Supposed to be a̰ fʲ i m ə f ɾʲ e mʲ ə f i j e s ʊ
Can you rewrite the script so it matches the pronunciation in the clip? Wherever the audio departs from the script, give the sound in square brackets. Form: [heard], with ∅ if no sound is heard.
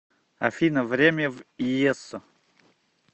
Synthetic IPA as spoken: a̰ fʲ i [n] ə [v] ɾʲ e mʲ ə [v] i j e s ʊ